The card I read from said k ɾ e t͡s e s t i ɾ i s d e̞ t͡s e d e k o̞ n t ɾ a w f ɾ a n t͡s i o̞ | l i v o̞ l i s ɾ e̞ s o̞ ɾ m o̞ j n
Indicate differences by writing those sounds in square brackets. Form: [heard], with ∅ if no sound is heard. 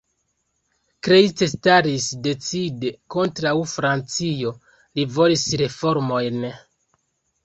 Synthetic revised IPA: k ɾ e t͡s e s t [a] ɾ i s d e̞ t͡s [i] d e k o̞ n t ɾ a w f ɾ a n t͡s i o̞ | l i v o̞ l i s ɾ e̞ [f] o̞ ɾ m o̞ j n